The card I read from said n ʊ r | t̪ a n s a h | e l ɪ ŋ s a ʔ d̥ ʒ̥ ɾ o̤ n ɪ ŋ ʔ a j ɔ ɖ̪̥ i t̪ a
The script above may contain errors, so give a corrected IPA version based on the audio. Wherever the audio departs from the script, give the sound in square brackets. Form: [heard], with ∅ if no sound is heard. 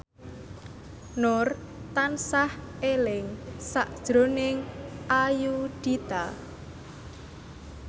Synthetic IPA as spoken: n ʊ r | t̪ a n s a h | e l ɪ ŋ s a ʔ d̥ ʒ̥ ɾ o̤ n ɪ ŋ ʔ a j [u] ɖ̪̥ i t̪ a

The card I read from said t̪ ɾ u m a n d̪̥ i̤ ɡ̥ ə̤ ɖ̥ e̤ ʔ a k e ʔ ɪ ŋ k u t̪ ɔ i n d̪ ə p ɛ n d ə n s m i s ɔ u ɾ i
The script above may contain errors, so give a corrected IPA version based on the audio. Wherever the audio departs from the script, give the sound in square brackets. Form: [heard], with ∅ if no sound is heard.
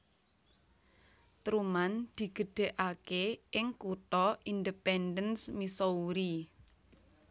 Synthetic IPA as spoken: t̪ ɾ u m a n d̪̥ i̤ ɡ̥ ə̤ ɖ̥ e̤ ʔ a k e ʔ ɪ ŋ k u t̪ ɔ i n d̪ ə p ɛ n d ə n s m i s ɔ u ɾ i

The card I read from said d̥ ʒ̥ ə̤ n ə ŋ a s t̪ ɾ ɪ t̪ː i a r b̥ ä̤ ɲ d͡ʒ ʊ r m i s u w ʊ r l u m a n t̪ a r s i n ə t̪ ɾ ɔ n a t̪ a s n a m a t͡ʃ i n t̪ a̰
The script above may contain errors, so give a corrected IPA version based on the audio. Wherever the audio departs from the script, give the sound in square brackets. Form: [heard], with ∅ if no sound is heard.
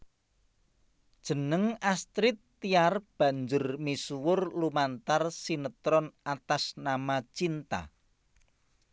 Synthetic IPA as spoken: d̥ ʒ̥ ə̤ n ə ŋ a s t̪ ɾ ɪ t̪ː i a r b̥ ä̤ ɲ d͡ʒ ʊ r m i s u w ʊ r l u m a n t̪ a r s i n ə t̪ ɾ ɔ n a t̪ a s n a m a t͡ʃ i n t̪ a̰

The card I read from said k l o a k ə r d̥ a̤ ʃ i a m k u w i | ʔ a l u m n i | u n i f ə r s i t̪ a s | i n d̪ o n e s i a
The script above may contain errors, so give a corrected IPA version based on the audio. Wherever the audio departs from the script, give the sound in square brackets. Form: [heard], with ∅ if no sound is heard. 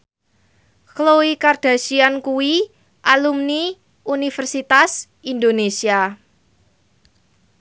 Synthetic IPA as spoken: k l o [i] k [a] r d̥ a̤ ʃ i a [n] k u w i | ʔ a l u m n i | u n i f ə r s i t̪ a s | i n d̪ o n e s i a

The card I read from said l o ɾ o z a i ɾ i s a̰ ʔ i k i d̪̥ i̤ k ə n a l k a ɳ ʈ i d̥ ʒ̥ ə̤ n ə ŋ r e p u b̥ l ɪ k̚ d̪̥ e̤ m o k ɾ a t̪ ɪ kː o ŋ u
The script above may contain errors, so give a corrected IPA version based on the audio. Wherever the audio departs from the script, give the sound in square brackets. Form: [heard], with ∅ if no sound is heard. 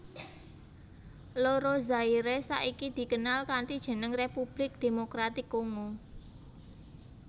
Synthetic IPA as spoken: l o ɾ o z a i ɾ [e] s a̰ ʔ i k i d̪̥ i̤ k ə n a l k a ɳ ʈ i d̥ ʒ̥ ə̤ n ə ŋ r e p u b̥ l ɪ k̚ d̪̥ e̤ m o k ɾ a t̪ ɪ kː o ŋ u

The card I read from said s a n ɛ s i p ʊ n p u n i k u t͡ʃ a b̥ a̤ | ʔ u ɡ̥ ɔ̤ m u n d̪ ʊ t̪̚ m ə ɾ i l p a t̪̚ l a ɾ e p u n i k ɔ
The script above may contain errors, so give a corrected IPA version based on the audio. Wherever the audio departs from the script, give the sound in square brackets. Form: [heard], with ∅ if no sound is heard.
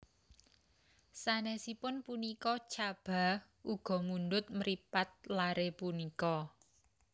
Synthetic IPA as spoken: s a n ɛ s i p ʊ n p u n i k [ɔ] t͡ʃ a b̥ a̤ | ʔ u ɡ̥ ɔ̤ m u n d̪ ʊ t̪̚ m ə ɾ i [∅] p a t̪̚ l a ɾ e p u n i k ɔ

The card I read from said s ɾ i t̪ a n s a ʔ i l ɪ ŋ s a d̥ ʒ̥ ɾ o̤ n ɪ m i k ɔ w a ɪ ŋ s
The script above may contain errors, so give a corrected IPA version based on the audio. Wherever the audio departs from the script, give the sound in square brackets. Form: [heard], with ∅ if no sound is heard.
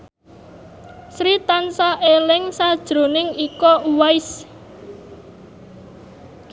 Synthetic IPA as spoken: s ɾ i t̪ a n s a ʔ [e] l ɪ ŋ s a d̥ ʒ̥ ɾ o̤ n ɪ [ŋ] i k ɔ w a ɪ [∅] s

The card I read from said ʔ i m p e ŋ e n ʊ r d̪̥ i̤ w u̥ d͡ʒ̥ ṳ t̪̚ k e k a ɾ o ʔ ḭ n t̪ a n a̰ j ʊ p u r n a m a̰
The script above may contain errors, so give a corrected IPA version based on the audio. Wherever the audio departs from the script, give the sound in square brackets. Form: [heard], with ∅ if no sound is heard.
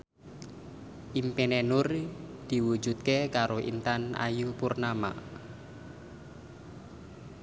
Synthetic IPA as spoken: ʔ i m p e [n] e n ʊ r d̪̥ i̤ w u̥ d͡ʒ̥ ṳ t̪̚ k e k a ɾ o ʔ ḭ n t̪ a n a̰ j [u] p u r n a m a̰

